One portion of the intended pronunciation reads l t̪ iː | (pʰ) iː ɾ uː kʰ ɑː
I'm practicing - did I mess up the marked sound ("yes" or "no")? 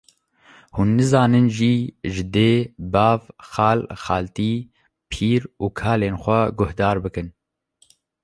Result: no